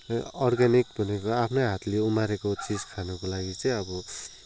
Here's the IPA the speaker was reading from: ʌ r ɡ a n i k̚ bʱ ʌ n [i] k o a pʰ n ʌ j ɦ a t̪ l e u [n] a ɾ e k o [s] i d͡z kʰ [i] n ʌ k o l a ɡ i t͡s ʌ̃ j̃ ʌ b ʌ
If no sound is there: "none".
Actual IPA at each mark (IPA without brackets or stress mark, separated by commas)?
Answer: e, m, t͡s, a